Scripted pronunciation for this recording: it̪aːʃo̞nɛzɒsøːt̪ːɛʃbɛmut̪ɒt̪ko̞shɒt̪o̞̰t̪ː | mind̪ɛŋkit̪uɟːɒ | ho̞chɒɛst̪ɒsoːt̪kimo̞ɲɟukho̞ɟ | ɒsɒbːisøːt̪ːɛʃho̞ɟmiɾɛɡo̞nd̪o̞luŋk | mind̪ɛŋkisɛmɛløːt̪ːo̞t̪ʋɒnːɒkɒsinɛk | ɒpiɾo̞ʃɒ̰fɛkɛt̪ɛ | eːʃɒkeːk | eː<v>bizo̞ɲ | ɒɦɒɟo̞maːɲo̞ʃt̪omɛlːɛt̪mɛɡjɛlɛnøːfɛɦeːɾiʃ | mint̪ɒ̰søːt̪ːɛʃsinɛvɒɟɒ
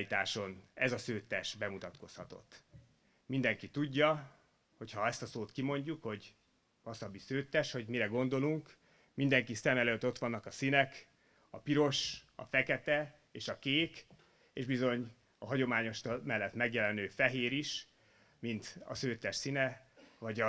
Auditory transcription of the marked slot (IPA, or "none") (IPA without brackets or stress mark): ʒ